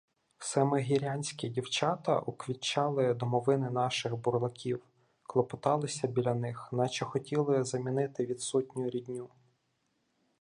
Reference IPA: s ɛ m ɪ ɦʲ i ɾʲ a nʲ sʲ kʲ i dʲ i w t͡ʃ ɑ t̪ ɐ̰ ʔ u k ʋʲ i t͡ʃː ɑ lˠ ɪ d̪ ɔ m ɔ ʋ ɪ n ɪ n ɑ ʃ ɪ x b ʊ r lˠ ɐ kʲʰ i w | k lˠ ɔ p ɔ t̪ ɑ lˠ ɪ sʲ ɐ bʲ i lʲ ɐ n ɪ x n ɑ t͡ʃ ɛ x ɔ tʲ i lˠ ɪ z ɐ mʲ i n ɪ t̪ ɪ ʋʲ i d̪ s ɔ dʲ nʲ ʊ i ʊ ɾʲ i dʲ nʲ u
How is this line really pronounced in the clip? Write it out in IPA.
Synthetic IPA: s ɛ m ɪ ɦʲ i ɾʲ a nʲ sʲ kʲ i dʲ i w t͡ʃ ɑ t̪ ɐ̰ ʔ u k ʋʲ i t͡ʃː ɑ lˠ ɪ d̪ ɔ m ɔ ʋ ɪ n ɪ n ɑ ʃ ɪ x b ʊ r lˠ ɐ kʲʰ i w | k lˠ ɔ p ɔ t̪ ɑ lˠ ɪ sʲ ɐ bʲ i lʲ ɐ n ɪ x n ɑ t͡ʃ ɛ x ɔ tʲ i lˠ ɪ z ɐ mʲ i n ɪ t̪ ɪ ʋʲ i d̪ s ɔ tʲ nʲ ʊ j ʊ ɾʲ i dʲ nʲ u